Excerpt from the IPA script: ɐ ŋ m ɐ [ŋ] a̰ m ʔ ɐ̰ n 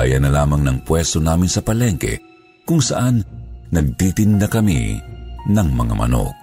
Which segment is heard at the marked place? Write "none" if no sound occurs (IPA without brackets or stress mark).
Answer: ŋ